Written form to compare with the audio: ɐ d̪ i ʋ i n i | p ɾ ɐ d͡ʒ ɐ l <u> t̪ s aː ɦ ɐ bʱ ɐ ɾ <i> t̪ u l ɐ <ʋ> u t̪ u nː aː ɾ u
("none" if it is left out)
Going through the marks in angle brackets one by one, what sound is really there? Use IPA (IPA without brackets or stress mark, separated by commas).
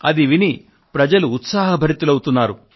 uː, i, w